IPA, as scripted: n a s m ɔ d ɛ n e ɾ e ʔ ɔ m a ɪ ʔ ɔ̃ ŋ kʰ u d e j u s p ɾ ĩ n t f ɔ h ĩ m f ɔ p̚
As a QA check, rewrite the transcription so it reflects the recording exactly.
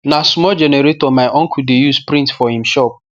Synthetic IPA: n a s m ɔ d͡ʒ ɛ n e ɾ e t ɔ m a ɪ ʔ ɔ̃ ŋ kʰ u d e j u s p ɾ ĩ n t f ɔ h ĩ m ʃ ɔ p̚